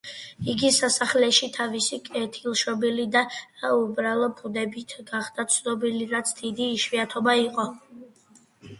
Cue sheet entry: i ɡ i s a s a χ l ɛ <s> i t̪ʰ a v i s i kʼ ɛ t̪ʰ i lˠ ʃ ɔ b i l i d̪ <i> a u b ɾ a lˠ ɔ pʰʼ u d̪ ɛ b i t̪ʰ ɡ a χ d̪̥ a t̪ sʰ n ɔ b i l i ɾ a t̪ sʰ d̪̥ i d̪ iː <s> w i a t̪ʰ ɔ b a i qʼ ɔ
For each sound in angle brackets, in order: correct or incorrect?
incorrect: ʃ, incorrect: a, incorrect: ʃ

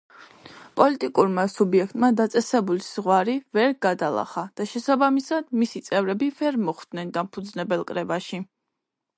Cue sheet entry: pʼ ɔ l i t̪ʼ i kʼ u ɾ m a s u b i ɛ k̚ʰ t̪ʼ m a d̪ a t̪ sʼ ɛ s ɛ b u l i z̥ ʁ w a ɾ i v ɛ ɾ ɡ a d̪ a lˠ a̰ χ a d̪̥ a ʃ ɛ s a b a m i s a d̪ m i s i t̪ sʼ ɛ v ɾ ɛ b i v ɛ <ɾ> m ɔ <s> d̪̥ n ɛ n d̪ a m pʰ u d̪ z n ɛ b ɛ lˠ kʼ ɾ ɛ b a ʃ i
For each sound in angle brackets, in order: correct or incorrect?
correct, incorrect: χ

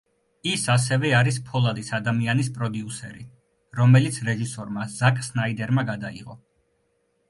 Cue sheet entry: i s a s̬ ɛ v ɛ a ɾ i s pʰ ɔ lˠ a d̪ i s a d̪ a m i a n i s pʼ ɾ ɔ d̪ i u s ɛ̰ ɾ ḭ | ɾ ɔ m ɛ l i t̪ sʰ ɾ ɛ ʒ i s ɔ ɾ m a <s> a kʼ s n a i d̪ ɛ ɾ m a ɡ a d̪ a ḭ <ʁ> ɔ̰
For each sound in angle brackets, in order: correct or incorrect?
incorrect: z, correct

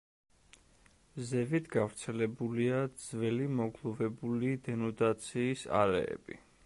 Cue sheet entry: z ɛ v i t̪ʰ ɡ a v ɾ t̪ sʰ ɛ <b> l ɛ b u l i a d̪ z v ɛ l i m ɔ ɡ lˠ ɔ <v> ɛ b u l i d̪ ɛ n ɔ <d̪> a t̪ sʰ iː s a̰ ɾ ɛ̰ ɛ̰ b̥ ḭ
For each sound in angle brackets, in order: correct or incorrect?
incorrect: none, correct, correct

